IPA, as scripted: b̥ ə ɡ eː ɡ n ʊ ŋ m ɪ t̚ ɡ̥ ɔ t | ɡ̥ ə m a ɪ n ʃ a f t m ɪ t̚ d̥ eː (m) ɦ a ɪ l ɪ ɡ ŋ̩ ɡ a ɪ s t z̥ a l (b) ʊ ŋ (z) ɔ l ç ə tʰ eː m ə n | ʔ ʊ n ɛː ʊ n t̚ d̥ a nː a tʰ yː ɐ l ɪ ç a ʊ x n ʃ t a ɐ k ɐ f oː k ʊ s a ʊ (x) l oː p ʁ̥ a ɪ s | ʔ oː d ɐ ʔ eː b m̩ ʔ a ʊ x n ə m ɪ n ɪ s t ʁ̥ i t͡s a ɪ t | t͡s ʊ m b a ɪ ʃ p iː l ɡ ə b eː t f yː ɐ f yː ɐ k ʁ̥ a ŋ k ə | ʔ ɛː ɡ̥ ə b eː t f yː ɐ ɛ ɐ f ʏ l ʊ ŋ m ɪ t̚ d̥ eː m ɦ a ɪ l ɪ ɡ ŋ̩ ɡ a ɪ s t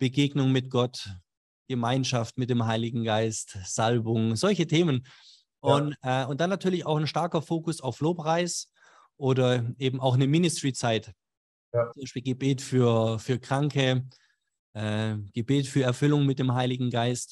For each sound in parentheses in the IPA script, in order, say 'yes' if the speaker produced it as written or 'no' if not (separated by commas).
yes, yes, yes, no